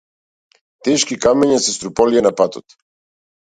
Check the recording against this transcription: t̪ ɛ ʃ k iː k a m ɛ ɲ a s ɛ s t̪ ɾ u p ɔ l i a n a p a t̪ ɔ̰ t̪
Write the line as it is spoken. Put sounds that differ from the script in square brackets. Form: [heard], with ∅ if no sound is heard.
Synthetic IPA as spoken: t̪ ɛ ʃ k [i] k a m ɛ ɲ a s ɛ s t̪ ɾ u p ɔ l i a n a p a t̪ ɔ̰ t̪